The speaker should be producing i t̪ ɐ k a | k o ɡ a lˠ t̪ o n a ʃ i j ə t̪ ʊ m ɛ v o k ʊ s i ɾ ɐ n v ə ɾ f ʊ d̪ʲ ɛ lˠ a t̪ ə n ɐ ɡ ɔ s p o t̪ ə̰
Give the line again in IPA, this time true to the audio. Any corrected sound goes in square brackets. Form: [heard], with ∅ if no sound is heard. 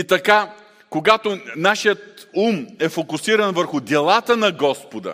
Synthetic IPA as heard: i t̪ ɐ k a | k o ɡ a [∅] t̪ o n a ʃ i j ə t̪ [u] m ɛ [f] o k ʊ s i ɾ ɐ n v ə ɾ [x] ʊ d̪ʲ ɛ lˠ a t̪ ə n ɐ ɡ ɔ s p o [d̪] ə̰